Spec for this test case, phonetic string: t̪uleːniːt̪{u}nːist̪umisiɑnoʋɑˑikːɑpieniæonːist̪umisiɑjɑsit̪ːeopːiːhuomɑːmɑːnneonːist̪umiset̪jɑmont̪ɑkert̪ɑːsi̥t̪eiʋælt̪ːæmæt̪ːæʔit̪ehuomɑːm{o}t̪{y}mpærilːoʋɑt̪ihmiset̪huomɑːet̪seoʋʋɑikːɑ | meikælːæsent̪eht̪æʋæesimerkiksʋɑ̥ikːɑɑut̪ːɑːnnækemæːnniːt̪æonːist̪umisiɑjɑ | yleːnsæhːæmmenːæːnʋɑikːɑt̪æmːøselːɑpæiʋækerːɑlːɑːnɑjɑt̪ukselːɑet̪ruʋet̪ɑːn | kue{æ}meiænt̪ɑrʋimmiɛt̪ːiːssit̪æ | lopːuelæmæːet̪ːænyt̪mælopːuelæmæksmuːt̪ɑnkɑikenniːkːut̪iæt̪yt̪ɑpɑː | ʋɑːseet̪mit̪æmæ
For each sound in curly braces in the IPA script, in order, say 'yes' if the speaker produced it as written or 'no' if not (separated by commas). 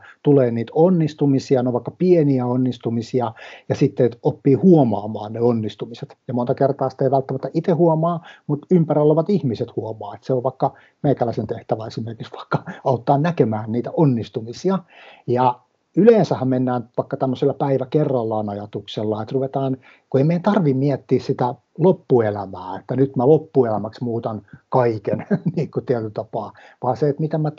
no, no, yes, no